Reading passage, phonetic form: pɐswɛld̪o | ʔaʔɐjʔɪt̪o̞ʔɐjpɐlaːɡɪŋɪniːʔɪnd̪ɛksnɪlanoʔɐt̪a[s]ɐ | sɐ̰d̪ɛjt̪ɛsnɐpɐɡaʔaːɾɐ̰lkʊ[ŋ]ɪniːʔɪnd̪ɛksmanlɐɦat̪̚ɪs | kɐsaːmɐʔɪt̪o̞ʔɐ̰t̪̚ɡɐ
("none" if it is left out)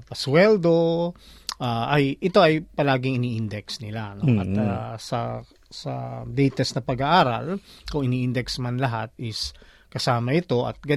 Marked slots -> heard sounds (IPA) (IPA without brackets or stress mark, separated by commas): s, ŋ